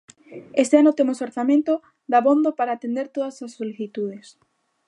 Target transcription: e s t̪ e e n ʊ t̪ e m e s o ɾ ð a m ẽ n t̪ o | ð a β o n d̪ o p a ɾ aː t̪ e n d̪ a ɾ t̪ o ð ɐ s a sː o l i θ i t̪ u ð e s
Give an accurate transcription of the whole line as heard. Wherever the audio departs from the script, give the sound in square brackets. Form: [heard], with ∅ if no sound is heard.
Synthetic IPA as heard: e s t̪ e [a] n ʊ t̪ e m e s o ɾ [θ] a m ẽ n t̪ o | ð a β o n d̪ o p a ɾ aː t̪ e n d̪ [e] ɾ t̪ o ð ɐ s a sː o l i θ i t̪ u ð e s